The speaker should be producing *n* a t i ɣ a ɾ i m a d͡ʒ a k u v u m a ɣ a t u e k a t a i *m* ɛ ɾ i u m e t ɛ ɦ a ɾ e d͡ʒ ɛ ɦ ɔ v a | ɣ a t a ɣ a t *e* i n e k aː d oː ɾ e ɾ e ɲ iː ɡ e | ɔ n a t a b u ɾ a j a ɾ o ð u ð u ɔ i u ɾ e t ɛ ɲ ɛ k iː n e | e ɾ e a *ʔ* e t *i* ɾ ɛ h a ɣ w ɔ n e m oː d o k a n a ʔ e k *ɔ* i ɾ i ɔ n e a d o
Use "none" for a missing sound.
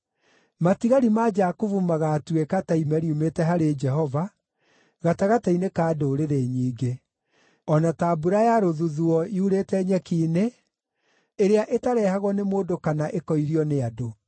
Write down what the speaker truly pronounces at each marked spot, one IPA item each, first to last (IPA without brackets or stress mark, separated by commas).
m, m, a, ʔ, a, ɔ